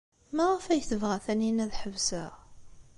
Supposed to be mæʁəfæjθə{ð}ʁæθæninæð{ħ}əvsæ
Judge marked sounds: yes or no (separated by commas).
no, yes